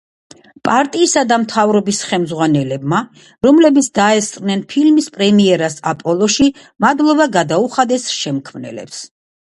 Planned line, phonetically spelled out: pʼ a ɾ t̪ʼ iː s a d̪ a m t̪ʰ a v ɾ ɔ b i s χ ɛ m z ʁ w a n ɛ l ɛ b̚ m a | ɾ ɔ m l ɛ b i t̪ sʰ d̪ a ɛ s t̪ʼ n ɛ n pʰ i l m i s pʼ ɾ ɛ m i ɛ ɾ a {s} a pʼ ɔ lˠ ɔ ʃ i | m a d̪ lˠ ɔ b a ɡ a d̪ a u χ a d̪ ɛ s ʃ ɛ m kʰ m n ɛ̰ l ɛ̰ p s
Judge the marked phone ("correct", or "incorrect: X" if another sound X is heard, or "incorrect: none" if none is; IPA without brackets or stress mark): correct